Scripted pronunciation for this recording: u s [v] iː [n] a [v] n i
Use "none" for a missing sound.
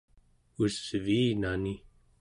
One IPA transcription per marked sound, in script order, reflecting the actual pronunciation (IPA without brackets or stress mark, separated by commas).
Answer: v, n, none